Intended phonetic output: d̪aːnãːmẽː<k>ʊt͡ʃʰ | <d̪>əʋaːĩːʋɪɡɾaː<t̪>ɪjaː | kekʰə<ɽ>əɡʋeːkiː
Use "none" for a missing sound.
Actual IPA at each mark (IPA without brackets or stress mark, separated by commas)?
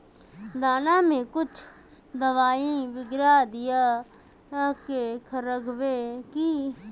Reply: k, d̪, d̪, ɾ